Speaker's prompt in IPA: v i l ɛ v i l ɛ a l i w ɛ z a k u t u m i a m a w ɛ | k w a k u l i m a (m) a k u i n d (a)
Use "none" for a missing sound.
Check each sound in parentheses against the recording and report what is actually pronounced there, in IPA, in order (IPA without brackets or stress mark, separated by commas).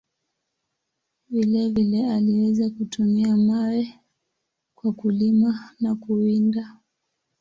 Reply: n, a